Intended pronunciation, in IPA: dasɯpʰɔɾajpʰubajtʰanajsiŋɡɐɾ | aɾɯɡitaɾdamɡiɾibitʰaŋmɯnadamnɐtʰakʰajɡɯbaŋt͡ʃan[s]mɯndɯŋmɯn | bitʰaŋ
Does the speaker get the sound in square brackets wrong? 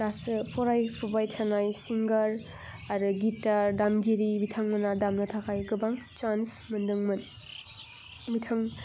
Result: no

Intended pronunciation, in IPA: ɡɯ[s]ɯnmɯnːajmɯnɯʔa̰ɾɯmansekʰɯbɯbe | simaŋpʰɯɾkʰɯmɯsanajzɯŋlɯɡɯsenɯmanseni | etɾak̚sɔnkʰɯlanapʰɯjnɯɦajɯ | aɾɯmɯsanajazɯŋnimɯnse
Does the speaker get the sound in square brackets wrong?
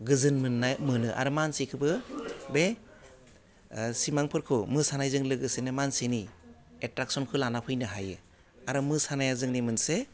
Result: yes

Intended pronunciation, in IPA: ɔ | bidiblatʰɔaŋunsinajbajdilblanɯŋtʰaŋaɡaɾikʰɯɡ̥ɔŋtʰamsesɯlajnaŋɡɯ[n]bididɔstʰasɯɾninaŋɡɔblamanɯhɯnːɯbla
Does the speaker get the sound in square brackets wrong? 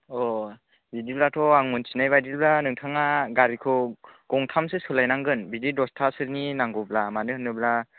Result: no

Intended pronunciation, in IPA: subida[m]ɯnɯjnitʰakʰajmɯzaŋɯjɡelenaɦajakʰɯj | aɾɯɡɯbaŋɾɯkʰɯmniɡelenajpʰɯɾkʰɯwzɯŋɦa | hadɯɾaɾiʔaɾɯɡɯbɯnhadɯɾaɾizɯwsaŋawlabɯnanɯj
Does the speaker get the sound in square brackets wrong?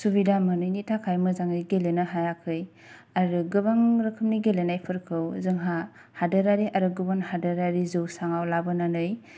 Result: no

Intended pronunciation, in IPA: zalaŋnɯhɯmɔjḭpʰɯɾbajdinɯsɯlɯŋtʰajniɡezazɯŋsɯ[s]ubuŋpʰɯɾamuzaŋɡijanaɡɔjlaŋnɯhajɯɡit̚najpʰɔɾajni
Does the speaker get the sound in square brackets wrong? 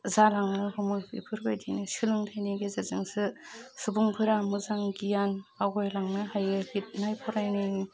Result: no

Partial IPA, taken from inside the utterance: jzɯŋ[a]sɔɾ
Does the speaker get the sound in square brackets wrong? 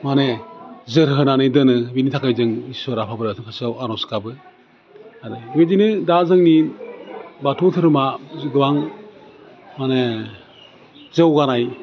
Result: yes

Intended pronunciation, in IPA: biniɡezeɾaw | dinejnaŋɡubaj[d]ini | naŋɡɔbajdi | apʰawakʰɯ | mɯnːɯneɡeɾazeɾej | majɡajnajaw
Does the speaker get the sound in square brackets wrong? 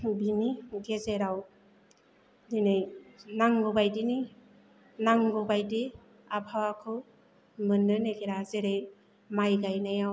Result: no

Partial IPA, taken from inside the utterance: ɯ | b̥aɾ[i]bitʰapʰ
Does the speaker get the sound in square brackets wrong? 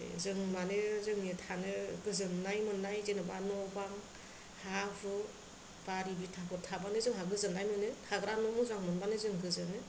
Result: no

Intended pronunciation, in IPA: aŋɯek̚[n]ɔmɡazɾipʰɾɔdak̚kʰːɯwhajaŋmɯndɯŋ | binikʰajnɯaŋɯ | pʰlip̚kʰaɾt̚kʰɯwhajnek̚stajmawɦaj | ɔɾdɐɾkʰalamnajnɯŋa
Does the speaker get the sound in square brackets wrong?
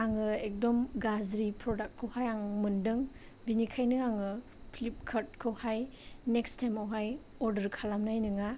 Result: yes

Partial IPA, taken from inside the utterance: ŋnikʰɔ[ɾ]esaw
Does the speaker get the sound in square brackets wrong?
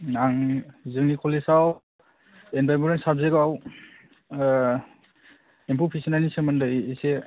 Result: yes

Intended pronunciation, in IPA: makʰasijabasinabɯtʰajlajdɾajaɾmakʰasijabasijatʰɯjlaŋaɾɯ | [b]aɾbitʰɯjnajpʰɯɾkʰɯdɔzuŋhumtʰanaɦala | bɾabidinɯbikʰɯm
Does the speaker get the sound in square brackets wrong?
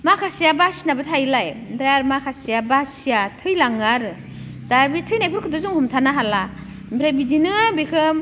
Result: yes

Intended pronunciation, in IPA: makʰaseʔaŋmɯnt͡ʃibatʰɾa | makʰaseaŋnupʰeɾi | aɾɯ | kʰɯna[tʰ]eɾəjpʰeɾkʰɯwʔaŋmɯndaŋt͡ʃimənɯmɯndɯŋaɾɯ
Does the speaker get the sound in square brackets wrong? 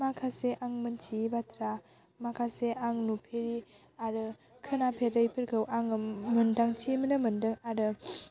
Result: yes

